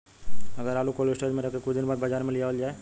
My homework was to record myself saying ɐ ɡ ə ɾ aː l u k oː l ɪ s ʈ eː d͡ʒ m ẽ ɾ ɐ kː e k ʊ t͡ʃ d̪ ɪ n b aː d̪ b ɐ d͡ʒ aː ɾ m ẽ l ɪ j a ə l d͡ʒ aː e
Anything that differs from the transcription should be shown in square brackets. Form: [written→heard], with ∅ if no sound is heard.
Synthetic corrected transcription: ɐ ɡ ə ɾ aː l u k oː l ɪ s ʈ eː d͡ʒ m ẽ ɾ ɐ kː e k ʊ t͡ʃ d̪ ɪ n b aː d̪ b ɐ d͡ʒ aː ɾ m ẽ l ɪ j a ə l d͡ʒ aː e